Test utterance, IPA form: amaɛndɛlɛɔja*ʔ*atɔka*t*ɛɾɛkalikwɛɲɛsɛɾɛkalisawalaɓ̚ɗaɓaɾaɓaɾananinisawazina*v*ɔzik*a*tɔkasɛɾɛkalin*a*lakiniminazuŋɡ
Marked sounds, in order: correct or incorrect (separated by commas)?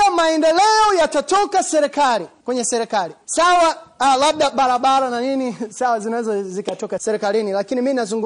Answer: incorrect, incorrect, incorrect, correct, incorrect